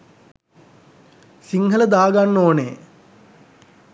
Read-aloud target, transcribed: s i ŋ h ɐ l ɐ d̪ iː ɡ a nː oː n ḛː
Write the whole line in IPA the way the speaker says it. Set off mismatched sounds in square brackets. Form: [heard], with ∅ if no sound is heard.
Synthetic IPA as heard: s i ŋ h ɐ l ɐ d̪ [aː] ɡ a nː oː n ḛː